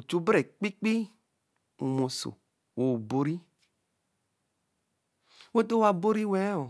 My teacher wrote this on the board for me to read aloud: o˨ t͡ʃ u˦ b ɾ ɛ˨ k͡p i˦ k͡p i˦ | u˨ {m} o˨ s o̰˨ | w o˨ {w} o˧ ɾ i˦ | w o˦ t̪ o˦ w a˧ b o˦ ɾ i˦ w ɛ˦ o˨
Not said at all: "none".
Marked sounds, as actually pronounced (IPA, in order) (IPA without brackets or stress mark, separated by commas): m, b